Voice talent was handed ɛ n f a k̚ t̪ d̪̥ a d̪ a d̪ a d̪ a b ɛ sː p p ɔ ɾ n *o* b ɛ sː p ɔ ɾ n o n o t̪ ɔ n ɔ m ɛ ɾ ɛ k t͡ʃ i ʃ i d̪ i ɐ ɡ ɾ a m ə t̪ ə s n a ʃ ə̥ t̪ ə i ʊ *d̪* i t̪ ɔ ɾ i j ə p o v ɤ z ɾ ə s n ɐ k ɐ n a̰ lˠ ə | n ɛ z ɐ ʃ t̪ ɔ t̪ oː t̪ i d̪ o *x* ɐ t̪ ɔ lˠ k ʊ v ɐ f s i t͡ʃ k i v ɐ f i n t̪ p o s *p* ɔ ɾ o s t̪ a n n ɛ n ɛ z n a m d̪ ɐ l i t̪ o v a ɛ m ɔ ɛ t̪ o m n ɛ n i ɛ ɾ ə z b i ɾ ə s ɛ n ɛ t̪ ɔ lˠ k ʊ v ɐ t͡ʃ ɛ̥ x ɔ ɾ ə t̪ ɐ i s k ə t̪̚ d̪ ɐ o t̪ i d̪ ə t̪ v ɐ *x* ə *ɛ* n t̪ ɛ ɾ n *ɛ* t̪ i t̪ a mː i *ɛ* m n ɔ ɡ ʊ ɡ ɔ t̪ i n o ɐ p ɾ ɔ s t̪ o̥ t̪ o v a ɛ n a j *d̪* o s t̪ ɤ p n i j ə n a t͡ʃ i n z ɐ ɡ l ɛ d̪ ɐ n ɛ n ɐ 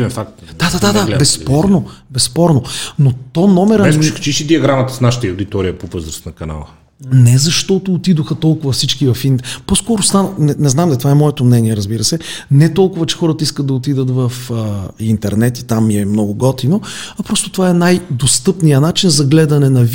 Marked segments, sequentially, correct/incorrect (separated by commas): correct, correct, correct, incorrect, incorrect, incorrect, correct, correct, correct